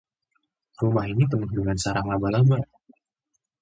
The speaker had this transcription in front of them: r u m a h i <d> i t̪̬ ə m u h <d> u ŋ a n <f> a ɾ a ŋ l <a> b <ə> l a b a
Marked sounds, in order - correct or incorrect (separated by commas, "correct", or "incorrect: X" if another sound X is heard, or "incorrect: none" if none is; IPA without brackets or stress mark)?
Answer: incorrect: n, correct, incorrect: s, correct, incorrect: a